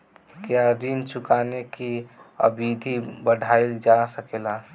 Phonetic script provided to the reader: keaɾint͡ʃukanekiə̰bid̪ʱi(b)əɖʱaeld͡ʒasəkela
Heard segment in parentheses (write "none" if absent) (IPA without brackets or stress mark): b